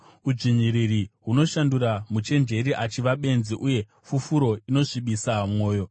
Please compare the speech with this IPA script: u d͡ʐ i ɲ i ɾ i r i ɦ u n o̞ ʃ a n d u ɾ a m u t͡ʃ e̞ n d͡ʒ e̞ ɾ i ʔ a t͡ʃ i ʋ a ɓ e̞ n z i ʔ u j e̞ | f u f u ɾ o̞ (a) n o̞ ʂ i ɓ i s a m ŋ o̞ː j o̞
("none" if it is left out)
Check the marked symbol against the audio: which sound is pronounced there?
i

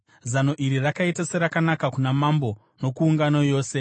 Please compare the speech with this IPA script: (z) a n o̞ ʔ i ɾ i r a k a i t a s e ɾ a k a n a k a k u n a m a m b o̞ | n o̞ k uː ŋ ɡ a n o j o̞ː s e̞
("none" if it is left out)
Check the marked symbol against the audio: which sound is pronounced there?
z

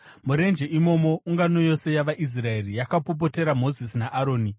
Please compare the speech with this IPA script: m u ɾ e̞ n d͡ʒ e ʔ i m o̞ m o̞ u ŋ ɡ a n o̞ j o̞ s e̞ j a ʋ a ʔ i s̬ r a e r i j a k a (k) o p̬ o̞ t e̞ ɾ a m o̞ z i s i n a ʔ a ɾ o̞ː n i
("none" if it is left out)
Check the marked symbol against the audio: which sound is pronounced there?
p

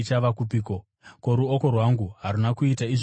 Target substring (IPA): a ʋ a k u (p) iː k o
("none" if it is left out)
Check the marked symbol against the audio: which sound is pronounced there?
p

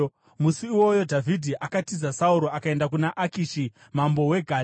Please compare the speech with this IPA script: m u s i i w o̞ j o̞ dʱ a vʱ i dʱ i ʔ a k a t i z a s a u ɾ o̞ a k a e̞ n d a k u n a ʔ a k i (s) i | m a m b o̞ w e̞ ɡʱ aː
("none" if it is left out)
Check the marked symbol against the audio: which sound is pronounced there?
ʃ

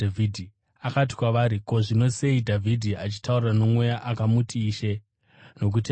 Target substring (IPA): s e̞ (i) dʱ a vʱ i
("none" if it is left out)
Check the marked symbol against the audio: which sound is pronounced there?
i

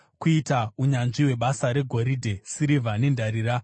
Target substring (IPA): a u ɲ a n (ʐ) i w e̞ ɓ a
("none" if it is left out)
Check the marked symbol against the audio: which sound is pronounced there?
ʐ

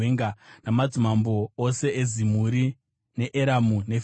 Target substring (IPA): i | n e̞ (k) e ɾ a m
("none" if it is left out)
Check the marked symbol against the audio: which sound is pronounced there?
ʔ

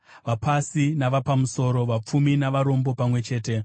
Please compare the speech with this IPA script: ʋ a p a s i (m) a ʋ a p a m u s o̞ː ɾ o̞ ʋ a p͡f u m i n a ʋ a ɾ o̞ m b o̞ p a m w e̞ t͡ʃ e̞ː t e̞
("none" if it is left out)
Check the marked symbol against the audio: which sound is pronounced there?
n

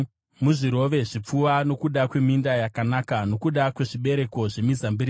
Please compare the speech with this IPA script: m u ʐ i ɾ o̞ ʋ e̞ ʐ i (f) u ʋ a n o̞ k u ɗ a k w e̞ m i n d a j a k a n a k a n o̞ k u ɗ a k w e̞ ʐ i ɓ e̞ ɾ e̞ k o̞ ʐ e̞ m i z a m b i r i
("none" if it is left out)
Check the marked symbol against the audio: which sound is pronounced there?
p͡f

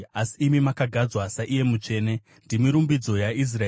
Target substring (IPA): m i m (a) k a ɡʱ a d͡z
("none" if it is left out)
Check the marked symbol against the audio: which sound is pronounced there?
a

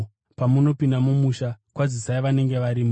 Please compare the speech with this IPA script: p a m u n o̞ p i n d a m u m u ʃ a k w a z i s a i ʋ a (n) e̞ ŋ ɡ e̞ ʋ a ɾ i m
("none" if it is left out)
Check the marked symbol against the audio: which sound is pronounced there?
n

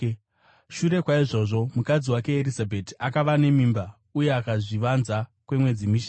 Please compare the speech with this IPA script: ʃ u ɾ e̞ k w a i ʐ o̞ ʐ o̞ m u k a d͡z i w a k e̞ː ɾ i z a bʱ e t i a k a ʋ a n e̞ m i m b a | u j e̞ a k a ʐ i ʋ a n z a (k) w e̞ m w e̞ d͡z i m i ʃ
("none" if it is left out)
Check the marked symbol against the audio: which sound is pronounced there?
k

